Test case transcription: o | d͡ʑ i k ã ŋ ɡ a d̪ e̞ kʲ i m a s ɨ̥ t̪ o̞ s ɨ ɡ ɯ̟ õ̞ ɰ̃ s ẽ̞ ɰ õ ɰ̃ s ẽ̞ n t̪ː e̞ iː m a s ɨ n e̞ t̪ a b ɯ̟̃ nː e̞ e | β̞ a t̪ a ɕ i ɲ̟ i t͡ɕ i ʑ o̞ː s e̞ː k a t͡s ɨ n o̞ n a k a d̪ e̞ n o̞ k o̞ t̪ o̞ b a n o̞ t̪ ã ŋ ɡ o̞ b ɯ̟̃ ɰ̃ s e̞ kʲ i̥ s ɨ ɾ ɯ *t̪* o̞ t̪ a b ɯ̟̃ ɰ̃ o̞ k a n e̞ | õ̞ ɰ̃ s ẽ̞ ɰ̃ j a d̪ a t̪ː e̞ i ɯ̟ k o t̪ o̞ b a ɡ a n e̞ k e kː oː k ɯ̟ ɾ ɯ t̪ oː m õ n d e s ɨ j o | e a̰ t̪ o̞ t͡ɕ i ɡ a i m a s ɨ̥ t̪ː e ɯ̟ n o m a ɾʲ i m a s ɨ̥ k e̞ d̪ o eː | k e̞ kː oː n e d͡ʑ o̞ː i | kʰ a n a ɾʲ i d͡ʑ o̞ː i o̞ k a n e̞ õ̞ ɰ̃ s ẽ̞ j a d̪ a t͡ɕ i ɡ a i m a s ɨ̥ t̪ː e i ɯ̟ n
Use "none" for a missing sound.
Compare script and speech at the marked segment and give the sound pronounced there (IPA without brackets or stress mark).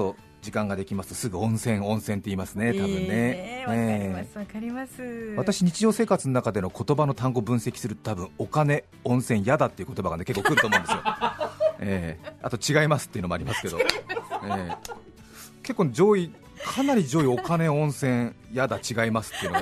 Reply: t̪